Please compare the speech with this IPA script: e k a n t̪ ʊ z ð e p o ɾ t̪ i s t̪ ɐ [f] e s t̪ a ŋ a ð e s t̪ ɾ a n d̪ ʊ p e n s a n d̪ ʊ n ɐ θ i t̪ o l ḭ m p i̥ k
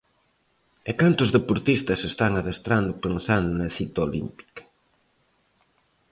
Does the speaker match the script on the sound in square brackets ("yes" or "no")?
no